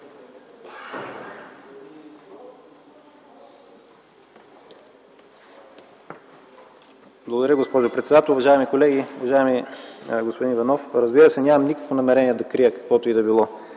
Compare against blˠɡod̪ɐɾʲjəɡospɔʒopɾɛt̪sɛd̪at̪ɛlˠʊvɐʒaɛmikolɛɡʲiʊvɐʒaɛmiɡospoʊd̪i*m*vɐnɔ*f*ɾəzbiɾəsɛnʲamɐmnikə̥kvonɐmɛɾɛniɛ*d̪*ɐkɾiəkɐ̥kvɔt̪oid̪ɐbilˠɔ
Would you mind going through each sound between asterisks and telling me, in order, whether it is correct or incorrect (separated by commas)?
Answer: incorrect, correct, correct